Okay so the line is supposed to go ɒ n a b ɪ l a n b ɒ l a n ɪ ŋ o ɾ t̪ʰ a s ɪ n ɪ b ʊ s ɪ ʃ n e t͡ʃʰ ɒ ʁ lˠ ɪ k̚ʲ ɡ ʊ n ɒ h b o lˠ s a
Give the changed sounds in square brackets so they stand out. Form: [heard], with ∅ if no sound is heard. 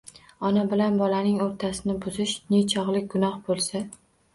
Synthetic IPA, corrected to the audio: ɒ n a b ɪ l a n b ɒ l a n ɪ ŋ o ɾ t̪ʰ a s ɪ n ɪ b ʊ [z] ɪ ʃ n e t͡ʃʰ ɒ ʁ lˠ ɪ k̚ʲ ɡ ʊ n ɒ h b o lˠ s a